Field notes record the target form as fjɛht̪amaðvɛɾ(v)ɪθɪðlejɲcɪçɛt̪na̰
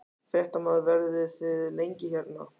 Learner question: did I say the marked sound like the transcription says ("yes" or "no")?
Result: no